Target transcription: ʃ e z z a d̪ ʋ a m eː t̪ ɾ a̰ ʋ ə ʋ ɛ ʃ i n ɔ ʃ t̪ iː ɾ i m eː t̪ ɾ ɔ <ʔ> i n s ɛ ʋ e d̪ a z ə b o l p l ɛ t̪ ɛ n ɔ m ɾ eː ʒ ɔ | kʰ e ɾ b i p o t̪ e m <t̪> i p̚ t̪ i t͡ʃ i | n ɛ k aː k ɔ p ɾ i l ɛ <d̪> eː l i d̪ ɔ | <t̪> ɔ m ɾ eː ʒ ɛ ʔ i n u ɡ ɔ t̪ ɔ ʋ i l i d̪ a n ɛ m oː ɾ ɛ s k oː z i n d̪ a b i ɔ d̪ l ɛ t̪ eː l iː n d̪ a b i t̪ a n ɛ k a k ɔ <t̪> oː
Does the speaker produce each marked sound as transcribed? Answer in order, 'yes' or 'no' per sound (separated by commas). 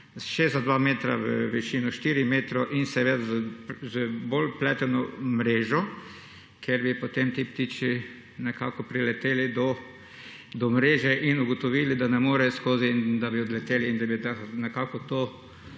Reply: yes, yes, no, no, yes